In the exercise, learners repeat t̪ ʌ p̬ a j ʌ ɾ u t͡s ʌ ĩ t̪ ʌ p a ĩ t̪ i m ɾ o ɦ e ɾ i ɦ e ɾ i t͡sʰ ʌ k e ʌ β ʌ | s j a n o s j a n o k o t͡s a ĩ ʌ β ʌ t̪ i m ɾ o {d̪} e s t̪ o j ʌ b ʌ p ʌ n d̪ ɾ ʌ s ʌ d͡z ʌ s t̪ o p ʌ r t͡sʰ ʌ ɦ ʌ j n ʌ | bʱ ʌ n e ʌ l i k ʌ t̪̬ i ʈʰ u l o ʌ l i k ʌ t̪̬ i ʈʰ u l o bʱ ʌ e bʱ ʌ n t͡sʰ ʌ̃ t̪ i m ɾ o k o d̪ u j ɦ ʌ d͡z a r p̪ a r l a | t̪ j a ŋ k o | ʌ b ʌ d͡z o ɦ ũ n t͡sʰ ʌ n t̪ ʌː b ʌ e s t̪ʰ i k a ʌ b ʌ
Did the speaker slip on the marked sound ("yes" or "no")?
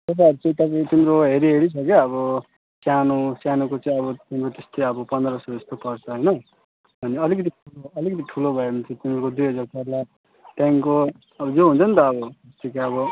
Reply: yes